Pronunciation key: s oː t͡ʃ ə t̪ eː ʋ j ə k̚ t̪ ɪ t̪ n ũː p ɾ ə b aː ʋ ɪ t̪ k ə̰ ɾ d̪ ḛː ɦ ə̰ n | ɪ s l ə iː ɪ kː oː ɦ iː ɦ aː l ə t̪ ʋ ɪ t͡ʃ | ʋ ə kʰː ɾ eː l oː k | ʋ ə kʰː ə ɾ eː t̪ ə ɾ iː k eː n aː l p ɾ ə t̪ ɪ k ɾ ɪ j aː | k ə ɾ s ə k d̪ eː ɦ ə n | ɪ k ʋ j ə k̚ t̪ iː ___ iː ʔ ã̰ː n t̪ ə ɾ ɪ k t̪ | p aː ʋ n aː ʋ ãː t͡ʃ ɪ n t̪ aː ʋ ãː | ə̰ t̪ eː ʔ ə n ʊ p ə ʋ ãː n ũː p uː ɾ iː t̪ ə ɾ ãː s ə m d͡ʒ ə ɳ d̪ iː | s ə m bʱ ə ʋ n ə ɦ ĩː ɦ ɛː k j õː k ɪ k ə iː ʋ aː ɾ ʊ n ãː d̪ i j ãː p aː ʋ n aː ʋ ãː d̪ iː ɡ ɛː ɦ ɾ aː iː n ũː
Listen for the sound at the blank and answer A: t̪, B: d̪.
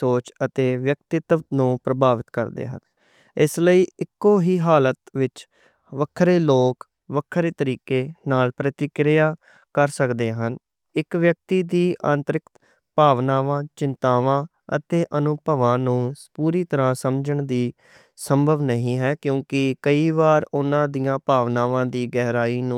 B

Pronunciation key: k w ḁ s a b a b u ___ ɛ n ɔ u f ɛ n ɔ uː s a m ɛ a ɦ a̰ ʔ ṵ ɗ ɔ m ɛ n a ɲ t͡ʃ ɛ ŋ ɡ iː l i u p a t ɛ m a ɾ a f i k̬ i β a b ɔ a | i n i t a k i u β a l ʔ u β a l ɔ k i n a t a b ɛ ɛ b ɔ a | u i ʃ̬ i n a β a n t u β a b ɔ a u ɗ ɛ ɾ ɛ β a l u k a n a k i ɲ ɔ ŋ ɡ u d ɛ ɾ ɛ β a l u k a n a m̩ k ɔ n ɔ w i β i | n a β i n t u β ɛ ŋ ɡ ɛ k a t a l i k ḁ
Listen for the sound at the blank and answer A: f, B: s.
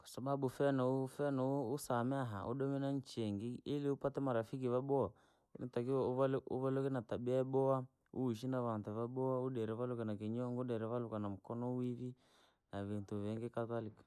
A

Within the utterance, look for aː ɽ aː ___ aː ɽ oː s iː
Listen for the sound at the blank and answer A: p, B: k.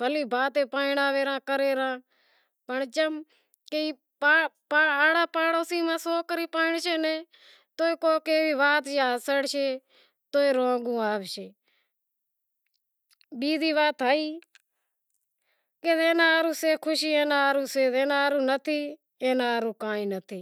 A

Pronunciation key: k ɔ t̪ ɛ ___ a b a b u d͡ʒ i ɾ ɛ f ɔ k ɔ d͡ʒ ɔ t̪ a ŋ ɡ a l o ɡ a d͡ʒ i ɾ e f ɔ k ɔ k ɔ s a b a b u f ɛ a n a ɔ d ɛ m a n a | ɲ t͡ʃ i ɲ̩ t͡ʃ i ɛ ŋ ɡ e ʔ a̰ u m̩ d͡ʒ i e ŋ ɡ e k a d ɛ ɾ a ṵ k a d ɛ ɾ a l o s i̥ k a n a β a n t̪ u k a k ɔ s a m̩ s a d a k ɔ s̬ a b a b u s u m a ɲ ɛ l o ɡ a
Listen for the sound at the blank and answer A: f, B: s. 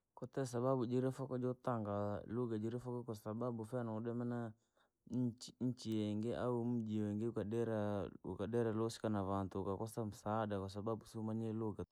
B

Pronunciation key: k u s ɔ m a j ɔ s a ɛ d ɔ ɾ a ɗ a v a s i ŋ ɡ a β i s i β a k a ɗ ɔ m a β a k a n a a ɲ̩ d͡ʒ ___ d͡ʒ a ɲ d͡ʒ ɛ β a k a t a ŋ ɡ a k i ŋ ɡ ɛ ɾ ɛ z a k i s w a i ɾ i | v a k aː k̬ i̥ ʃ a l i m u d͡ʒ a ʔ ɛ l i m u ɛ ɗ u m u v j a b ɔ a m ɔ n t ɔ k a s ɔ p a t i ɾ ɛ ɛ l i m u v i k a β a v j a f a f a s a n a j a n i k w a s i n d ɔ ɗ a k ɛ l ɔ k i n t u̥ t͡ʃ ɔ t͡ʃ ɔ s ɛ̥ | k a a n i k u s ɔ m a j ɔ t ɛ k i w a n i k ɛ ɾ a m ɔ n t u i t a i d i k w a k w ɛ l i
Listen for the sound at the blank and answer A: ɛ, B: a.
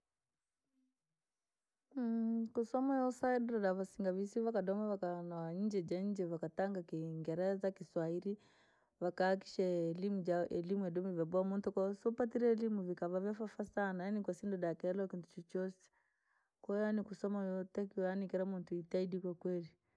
A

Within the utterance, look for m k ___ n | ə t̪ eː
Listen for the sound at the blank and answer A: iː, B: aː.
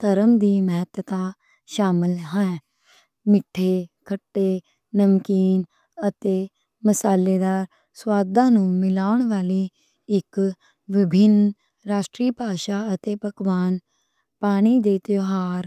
A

